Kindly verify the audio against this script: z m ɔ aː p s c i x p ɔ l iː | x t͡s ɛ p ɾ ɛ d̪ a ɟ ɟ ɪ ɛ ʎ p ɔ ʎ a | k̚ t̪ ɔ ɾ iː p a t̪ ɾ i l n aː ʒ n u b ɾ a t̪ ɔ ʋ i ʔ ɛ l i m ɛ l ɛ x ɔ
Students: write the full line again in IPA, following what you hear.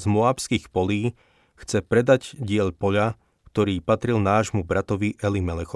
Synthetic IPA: z m ɔ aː p s k i x p ɔ l iː | x t͡s ɛ p ɾ ɛ d̪ a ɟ ɟ ɪ ɛ ʎ p ɔ ʎ a | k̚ t̪ ɔ ɾ iː p a t̪ ɾ i l n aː ʒ m u b ɾ a t̪ ɔ ʋ i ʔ ɛ l i m ɛ l ɛ x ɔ